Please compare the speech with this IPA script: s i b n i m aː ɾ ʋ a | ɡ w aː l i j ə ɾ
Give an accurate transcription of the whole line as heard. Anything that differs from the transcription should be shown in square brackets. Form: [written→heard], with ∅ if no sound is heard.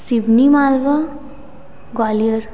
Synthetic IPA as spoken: s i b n i m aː [ɾ→l] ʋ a | ɡ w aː l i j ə ɾ